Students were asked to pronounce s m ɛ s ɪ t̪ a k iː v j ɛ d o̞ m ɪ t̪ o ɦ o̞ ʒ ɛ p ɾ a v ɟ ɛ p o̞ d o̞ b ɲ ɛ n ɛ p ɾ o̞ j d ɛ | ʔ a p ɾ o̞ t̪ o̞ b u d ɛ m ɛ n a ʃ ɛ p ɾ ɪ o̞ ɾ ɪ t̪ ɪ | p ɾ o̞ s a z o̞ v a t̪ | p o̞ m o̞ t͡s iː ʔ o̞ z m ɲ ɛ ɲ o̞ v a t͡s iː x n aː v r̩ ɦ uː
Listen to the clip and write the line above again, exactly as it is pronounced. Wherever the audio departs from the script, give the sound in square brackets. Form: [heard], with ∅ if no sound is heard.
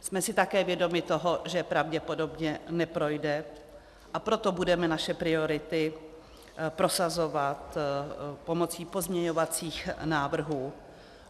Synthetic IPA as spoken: s m ɛ s ɪ t̪ a k [ɛː] v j ɛ d o̞ m ɪ t̪ o ɦ o̞ ʒ ɛ p ɾ a v ɟ ɛ p o̞ d o̞ b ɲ ɛ n ɛ p ɾ o̞ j d ɛ | ʔ a p ɾ o̞ t̪ o̞ b u d ɛ m ɛ n a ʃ ɛ p ɾ ɪ o̞ ɾ ɪ t̪ ɪ | p ɾ o̞ s a z o̞ v a t̪ | p o̞ m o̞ t͡s iː [p] o̞ z m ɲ ɛ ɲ o̞ v a t͡s iː x n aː v r̩ ɦ uː

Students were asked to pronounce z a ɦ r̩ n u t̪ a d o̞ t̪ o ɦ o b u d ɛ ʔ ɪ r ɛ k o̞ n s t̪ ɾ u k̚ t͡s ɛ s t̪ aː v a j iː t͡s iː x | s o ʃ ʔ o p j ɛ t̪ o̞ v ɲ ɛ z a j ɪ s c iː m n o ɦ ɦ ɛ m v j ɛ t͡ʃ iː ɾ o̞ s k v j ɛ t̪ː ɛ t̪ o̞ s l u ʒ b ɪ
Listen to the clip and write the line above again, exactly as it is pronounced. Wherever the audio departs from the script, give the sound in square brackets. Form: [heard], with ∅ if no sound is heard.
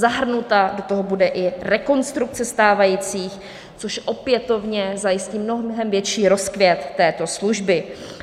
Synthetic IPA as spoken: z a ɦ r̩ n u t̪ a d o̞ t̪ o ɦ o b u d ɛ ʔ ɪ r ɛ k o̞ n s t̪ ɾ u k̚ t͡s ɛ s t̪ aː v a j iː t͡s iː x | [t͡s] o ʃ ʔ o p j ɛ t̪ o̞ v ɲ ɛ z a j ɪ s c iː m n o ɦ ɦ ɛ m v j ɛ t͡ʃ iː ɾ o̞ s k v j ɛ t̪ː [ɛː] t̪ o̞ s l u ʒ b ɪ

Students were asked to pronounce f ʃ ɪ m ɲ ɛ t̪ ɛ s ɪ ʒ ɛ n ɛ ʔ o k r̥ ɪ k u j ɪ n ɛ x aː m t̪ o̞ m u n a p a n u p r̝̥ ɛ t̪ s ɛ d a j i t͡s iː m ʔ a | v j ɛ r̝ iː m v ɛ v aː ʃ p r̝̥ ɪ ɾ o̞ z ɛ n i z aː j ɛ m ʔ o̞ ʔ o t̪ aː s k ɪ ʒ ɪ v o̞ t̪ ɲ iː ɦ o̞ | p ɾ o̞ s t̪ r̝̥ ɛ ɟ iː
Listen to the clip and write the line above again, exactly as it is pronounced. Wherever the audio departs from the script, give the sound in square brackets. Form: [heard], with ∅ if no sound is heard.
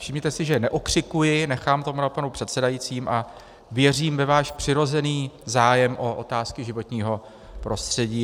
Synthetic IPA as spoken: f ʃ ɪ m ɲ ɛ t̪ ɛ s ɪ ʒ ɛ n ɛ ʔ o k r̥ ɪ k u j ɪ n ɛ x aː m t̪ o̞ m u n a p a n u p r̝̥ ɛ t̪ s ɛ d a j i t͡s iː m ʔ a | v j ɛ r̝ iː m v ɛ v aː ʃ p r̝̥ ɪ ɾ o̞ z ɛ n [iː] z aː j ɛ m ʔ o̞ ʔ o t̪ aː s k ɪ ʒ ɪ v o̞ t̪ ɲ iː ɦ o̞ | p ɾ o̞ s t̪ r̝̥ ɛ ɟ iː

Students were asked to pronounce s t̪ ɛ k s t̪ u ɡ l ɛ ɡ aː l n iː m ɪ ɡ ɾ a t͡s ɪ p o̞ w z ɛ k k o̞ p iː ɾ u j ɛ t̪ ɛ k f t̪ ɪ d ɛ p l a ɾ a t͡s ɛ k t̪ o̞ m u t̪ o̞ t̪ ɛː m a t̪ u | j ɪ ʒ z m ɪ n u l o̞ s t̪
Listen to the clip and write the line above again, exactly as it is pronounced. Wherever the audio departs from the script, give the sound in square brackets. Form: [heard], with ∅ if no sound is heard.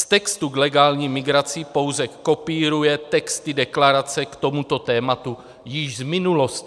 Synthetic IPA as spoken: s t̪ ɛ k s t̪ u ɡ l ɛ ɡ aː l [ɲ] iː m ɪ ɡ ɾ a t͡s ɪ p o̞ w z ɛ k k o̞ p iː ɾ u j ɛ t̪ ɛ k [s] t̪ ɪ d ɛ [k] l a ɾ a t͡s ɛ k t̪ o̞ m u t̪ o̞ t̪ ɛː m a t̪ u | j ɪ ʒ z m ɪ n u l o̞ s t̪

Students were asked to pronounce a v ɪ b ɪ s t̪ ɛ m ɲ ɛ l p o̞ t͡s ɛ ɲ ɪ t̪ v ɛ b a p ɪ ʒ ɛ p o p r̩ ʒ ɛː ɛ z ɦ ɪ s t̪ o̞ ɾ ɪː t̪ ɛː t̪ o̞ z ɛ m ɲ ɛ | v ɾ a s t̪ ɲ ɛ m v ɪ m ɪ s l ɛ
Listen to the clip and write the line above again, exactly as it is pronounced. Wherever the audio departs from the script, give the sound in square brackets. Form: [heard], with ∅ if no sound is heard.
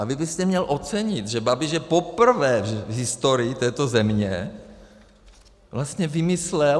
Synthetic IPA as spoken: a v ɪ b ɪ s t̪ ɛ m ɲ ɛ l [ʔ] o̞ t͡s ɛ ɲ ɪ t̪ [ʒ] ɛ b a [b] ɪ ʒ ɛ p o p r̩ [v] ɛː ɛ [v] ɦ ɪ s t̪ o̞ ɾ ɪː t̪ ɛː t̪ o̞ z ɛ m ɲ ɛ | v [l] a s t̪ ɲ ɛ [∅] v ɪ m ɪ s l ɛ

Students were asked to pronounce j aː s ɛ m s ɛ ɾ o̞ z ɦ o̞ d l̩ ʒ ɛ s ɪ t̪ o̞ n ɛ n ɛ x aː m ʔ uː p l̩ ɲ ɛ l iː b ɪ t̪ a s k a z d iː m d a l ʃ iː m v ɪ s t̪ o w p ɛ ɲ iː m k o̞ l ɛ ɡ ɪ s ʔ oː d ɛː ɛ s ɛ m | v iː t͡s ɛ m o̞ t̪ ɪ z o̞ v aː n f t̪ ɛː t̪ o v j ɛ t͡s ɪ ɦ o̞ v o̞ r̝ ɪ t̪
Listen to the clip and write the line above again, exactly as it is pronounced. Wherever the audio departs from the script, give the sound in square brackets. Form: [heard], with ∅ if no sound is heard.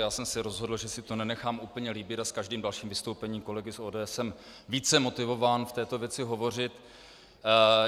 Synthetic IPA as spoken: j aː s ɛ m s ɛ ɾ o̞ z ɦ o̞ d l̩ ʒ ɛ s ɪ t̪ o̞ n ɛ n ɛ x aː m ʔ uː p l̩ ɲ ɛ l iː b ɪ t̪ a s k a [ʒ] d iː m d a l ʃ iː m v ɪ s t̪ o w p ɛ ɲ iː m k o̞ l ɛ ɡ ɪ s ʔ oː d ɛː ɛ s ɛ m | v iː t͡s ɛ m o̞ t̪ ɪ [v] o̞ v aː n f t̪ ɛː t̪ o v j ɛ t͡s ɪ ɦ o̞ v o̞ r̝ ɪ t̪

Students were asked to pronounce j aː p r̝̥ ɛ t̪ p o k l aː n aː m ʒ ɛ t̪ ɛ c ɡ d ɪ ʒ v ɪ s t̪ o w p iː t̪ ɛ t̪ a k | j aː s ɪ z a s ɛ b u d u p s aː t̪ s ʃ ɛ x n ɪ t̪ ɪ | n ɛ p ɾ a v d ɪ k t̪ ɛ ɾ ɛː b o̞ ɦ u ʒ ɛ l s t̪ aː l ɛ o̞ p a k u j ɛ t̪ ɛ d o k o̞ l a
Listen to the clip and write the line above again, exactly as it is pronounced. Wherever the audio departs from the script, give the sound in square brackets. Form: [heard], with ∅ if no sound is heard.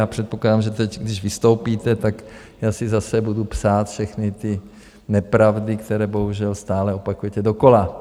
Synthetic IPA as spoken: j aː p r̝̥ ɛ t̪ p o k l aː [d] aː m ʒ ɛ t̪ ɛ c ɡ d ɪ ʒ v ɪ s t̪ o w p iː t̪ ɛ t̪ a k | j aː s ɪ z a s ɛ b u d u p s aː t̪ [f] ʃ ɛ x n ɪ t̪ ɪ | n ɛ p ɾ a v d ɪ k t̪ ɛ ɾ ɛː b o̞ ɦ u ʒ ɛ l s t̪ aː l ɛ o̞ p a k u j ɛ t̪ ɛ d o k o̞ l a

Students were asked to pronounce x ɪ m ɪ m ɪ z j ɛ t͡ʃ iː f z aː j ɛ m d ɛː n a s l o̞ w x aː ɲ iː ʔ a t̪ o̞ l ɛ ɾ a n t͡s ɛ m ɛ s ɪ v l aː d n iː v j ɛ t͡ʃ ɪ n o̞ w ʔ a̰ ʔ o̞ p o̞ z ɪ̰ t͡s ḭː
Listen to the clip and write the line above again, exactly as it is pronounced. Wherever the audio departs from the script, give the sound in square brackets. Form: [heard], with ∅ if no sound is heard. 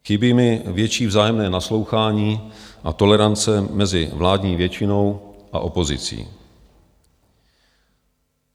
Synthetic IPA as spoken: x ɪ [b] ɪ m ɪ [v] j ɛ t͡ʃ iː [v] z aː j ɛ m [n] ɛː n a s l o̞ w x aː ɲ iː ʔ a t̪ o̞ l ɛ ɾ a n t͡s ɛ m ɛ [z] ɪ v l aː d [ɲ] iː v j ɛ t͡ʃ ɪ n o̞ w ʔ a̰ ʔ o̞ p o̞ z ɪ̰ t͡s ḭː

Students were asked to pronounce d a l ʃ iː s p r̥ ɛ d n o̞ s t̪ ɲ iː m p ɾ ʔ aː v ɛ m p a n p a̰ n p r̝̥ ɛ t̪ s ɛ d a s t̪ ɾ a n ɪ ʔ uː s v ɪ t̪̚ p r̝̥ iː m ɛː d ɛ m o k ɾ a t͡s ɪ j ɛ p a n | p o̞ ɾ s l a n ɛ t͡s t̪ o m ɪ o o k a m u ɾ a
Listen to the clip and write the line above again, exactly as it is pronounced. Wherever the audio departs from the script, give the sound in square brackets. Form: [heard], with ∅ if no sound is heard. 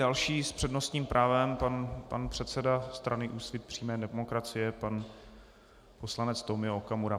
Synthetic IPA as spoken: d a l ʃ iː s p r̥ ɛ d n o̞ s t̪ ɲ iː m p ɾ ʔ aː v ɛ m p a n p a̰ n p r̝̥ ɛ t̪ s ɛ d a s t̪ ɾ a n ɪ ʔ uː s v ɪ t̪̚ p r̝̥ iː m ɛː d ɛ m o k ɾ a t͡s ɪ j ɛ p a n | p o̞ [∅] s l a n ɛ t͡s t̪ o m ɪ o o k a m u ɾ a

